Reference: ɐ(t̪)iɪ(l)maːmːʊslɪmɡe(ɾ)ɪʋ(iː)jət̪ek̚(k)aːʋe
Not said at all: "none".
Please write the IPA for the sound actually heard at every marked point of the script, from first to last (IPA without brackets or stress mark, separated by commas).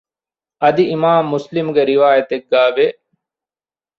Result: d̪, none, ɾ, aː, ɡ